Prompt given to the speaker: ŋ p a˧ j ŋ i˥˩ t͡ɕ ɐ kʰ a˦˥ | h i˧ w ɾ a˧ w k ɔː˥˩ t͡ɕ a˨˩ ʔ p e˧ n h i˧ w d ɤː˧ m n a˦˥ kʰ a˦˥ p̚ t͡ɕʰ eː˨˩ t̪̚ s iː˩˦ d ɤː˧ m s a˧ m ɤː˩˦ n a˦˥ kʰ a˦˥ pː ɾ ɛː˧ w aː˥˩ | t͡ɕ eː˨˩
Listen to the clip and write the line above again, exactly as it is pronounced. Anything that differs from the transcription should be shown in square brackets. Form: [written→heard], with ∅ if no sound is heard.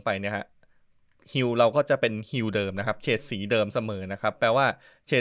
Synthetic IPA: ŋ p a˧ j [ŋ→n] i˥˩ [t͡ɕ→∅] ɐ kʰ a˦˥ | h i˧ w ɾ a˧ w k ɔː˥˩ t͡ɕ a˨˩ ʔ p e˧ n h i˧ w d ɤː˧ m n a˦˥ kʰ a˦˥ p̚ t͡ɕʰ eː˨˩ t̪̚ s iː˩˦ d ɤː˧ m s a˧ m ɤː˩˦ n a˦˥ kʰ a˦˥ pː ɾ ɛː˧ w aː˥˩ | [t͡ɕ→t͡ɕʰ] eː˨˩